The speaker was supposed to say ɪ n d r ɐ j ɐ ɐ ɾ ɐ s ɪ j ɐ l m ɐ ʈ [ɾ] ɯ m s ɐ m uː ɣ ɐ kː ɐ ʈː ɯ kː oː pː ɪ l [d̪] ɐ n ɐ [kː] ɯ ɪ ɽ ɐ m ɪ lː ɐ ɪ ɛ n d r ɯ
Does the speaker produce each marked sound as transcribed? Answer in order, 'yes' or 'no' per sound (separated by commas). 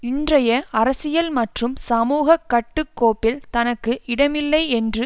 no, no, yes